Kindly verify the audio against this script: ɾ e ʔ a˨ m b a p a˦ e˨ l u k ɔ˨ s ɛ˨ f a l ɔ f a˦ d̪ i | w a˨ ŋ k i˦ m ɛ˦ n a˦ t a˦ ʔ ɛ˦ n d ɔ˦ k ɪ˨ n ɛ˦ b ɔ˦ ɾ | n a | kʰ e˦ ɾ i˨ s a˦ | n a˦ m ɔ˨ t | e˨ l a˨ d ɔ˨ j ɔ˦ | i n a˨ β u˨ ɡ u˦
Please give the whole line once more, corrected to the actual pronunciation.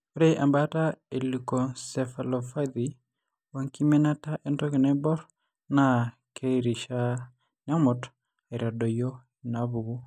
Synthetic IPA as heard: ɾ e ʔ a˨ m b a t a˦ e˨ l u k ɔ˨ s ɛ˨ f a l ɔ f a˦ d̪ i | w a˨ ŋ k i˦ m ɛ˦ n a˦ t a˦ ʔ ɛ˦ n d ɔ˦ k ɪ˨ n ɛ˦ b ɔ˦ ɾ | n a | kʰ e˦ ɾ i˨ ʃ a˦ | n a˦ m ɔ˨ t | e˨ ɾ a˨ d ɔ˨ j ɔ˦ | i n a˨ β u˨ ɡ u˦